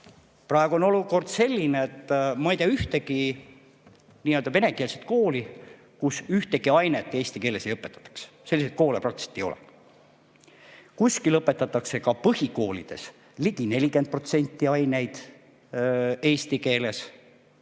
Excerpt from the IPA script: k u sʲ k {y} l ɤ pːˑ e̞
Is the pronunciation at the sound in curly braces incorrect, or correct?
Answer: incorrect